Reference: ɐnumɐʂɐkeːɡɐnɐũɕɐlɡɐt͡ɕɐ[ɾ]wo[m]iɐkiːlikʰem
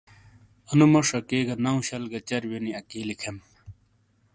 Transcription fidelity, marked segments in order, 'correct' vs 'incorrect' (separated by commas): correct, incorrect